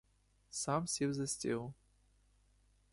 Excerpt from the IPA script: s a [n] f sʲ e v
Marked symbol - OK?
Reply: no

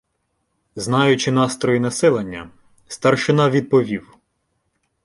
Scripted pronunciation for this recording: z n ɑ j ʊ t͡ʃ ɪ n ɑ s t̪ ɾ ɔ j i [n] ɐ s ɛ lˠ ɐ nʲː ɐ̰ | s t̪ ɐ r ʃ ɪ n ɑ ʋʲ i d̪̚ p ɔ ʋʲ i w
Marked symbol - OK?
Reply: yes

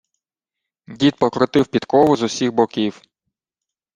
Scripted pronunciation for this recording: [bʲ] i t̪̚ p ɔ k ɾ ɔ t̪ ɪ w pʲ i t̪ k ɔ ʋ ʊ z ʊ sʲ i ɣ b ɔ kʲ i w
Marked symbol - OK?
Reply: no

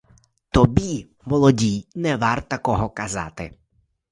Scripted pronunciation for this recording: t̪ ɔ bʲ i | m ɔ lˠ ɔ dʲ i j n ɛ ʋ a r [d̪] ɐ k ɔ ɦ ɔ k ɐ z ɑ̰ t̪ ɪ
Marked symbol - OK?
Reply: no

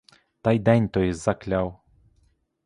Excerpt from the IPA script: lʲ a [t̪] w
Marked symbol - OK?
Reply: no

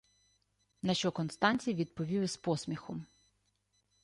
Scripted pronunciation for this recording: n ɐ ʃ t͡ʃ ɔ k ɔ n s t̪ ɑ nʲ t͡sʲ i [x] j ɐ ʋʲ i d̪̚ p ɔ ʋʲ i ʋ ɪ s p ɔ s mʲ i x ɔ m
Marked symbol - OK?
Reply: no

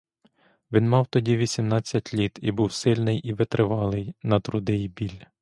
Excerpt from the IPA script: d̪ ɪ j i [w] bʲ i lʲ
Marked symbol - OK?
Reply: no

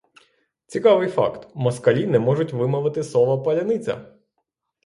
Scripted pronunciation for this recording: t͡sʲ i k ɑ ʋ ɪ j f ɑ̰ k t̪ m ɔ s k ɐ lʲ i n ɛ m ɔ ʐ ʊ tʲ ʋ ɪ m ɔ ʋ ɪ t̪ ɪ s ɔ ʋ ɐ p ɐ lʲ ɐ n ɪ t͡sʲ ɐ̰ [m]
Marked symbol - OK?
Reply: no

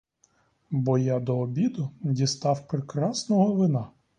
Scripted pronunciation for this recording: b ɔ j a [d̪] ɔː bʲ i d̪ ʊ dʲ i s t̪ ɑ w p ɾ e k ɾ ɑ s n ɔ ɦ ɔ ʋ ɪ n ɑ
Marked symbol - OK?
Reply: yes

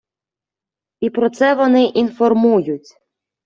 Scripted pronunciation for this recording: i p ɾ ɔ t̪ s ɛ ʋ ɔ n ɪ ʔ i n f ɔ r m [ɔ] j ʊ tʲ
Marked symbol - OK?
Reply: no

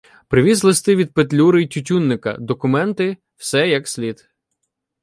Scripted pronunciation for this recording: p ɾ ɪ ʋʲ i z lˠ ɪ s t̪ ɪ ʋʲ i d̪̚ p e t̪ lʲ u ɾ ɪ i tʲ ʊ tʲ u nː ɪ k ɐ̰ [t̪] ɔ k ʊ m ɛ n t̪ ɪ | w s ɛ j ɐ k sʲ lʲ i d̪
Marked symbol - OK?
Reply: no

